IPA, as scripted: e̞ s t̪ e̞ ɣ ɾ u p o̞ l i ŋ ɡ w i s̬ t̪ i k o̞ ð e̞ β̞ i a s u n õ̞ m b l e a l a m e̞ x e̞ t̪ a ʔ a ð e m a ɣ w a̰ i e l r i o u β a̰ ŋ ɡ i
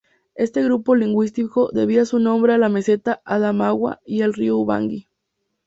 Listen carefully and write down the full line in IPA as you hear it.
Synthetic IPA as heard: e̞ s t̪ e̞ ɣ ɾ u p o̞ l i ŋ ɡ w i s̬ t̪ i k o̞ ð e̞ β̞ i a s u n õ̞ m b ɾ e a l a m e̞ s e̞ t̪ a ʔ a ð a m a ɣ w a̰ i e l r i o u β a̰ ŋ ɡ i